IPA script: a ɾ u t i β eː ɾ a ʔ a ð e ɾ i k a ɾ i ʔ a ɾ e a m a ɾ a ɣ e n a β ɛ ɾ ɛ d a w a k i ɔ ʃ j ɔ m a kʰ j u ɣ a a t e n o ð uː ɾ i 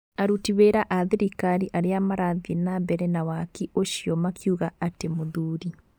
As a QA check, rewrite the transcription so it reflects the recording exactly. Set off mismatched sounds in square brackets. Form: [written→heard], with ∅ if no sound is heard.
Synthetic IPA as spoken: a ɾ u t i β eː ɾ a ʔ a ð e ɾ i k a ɾ i ʔ a ɾ e a m a ɾ a [ɣ→ð] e n a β ɛ ɾ ɛ [d→n] a w a k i [ɔ→o] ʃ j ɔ m a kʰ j u ɣ a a t e [n→m] o ð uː ɾ i